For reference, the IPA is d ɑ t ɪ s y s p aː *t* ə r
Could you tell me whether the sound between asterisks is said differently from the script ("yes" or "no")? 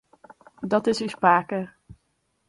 yes